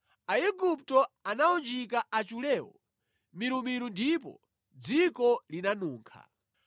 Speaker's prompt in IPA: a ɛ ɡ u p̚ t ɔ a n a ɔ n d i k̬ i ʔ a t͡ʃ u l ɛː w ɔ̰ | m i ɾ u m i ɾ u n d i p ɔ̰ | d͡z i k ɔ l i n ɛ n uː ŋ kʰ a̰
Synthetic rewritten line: a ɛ ɡ u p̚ t ɔ a n a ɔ n d͡ʒ i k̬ a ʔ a t͡ʃ u l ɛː w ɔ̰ | m i ɾ u m i ɾ u n d i p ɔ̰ | d͡z i k ɔ l i n a n uː ŋ kʰ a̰